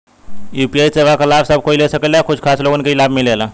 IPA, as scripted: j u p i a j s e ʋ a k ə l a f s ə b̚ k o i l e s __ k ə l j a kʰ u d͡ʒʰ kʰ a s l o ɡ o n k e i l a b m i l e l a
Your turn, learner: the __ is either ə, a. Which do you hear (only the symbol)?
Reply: ə